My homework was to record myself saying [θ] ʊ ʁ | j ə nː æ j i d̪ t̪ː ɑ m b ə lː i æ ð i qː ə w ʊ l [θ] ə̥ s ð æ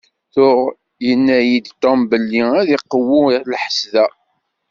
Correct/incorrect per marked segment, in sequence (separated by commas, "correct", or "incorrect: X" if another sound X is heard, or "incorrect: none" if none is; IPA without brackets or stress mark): correct, incorrect: ħ